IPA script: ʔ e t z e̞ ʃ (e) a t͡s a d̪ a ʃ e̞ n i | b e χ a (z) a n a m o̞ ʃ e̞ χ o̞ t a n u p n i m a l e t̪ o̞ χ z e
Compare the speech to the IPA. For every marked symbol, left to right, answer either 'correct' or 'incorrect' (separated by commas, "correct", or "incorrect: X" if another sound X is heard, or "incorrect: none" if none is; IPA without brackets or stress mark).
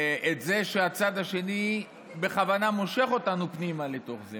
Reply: correct, incorrect: v